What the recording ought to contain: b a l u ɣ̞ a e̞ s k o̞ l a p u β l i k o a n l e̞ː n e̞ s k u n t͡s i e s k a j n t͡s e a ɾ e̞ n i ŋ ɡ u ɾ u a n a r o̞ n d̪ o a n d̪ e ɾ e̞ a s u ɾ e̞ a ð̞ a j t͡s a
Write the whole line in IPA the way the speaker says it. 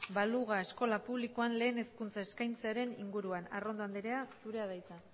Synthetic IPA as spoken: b a l u ɣ̞ a e̞ s k o̞ l a p u β l i k o a n l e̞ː n e̞ s k u n t͡s a e s k a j n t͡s e a ɾ e̞ n i ŋ ɡ u ɾ u a n a r o̞ n d̪ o a n d̪ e ɾ e̞ a s u ɾ e̞ a ð̞ a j t͡s a

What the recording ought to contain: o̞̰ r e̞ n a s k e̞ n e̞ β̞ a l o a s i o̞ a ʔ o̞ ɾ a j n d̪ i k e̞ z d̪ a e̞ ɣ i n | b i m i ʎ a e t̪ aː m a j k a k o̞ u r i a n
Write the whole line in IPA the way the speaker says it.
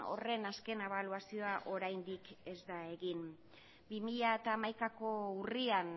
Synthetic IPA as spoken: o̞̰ r e̞ n a s k e̞ n e̞ β̞ a l u a s i o̞ a ʔ o̞ ɾ a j n d̪ i k e̞ z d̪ a e̞ ɣ i n | b i m i ʎ a e t̪ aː m a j k a k o̞ u r i a n

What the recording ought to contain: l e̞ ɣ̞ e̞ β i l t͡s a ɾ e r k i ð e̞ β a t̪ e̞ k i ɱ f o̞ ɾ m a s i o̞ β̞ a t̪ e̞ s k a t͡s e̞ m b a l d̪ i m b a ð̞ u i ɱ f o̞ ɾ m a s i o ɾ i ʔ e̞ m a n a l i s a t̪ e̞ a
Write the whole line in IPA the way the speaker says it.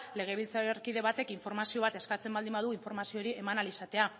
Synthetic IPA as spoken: l e̞ ɣ̞ e̞ β i l t͡s a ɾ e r k i ð e̞ β a t̪ e̞ k i ɱ f o̞ ɾ m a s i o̞ β̞ a t̪ e̞ s k a t͡s e̞ m b a l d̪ i m b a ð̞ u i ɱ f o̞ ɾ m a s i o ɾ i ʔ e̞ m a n a l i s a t̪ e̞ a

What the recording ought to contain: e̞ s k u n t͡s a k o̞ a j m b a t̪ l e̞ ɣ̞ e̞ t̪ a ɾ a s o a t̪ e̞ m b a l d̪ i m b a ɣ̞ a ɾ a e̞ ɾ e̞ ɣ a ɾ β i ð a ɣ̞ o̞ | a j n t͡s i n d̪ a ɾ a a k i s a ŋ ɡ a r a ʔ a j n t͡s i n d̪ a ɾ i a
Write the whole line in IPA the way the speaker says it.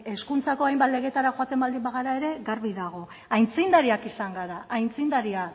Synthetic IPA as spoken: e̞ s k u n t͡s a k o̞ a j m b a t̪ l e̞ ɣ̞ e̞ t̪ a ɾ a x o a t̪ e̞ m b a l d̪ i m b a ɣ̞ a ɾ a e̞ ɾ e̞ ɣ a ɾ β i ð a ɣ̞ o̞ | a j n t͡s i n d̪ a ɾ i a k i s a ŋ ɡ a ɾ a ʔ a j n t͡s i n d̪ a ɾ i a

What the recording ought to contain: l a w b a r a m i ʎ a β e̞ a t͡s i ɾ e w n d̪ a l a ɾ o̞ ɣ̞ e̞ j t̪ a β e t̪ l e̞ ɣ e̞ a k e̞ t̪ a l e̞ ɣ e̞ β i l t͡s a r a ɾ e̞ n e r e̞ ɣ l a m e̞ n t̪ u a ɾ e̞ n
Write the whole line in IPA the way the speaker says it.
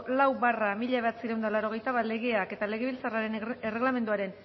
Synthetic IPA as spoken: l a w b a r a m i ʎ a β e̞ a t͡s i ɾ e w n d̪ a l a ɾ o̞ ɣ̞ e̞ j t̪ a β a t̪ l e̞ ɣ e̞ a k e̞ t̪ a l e̞ ɣ e̞ β i l t͡s a r a ɾ e̞ n e r e̞ ɣ l a m e̞ n d̪ u a ɾ e̞ n

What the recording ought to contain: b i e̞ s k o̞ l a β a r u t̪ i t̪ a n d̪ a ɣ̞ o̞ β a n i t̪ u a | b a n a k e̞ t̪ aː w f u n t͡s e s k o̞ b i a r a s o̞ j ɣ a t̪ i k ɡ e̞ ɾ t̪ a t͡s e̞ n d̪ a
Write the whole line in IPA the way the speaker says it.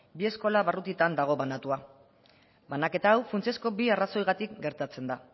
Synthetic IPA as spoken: b i e̞ s k o̞ l a β a r u t̪ i t̪ a n d̪ a ɣ̞ o̞ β a n a t̪ u a | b a n a k e̞ t̪ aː w f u n t͡s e s k o̞ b i a r a s o̞ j ɣ a t̪ i k ɡ e̞ ɾ t̪ a t͡s e̞ n d̪ a

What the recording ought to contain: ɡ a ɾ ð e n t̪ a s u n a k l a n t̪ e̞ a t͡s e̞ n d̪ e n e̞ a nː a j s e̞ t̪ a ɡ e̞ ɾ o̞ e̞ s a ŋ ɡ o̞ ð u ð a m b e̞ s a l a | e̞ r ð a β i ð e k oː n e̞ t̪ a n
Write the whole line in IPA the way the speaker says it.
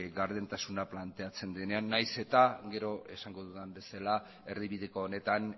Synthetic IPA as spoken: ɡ a ɾ ð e n t̪ a s u n a p l a n t̪ e̞ a t͡s e̞ n d̪ e n e̞ a nː a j s e̞ t̪ a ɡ e̞ ɾ o̞ e̞ s a ŋ ɡ o̞ ð u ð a m b e̞ s a l a | e̞ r ð i β i ð e k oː n e̞ t̪ a n

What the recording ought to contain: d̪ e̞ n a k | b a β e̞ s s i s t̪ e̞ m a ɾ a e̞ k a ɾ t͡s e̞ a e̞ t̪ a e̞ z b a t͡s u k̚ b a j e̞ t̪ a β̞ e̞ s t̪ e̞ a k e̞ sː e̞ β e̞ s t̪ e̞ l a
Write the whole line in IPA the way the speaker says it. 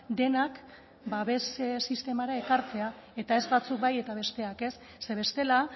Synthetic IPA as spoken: d̪ e̞ n a k | b a β e̞ s s i s t̪ e̞ m a ɾ a e̞ k a ɾ t͡s e̞ a e̞ t̪ a e̞ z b a t͡s u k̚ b a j e̞ t̪ a β̞ e̞ s t̪ e̞ a k e̞ sː e̞ β e̞ s t̪ e̞ l a

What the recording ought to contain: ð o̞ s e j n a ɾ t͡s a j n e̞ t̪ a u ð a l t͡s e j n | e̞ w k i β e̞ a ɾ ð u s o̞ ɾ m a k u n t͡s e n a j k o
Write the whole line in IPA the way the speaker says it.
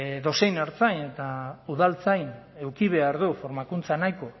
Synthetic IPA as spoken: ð o̞ s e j n a ɾ t͡s a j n e̞ t̪ a u ð a l t͡s a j n | e̞ w k i β e̞ a ɾ ð u f o̞ ɾ m a k u n t͡s a n a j k o

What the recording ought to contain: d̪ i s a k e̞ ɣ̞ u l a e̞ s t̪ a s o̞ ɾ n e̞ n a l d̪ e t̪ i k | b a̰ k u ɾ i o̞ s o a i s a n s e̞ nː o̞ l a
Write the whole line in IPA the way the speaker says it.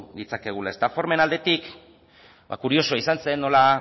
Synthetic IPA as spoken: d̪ i t͡s a k e̞ ɣ̞ u l a e̞ s t̪ a f o̞ ɾ m e̞ n a l d̪ e t̪ i k | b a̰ k u ɾ i o̞ s o a i s a n s e̞ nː o̞ l a

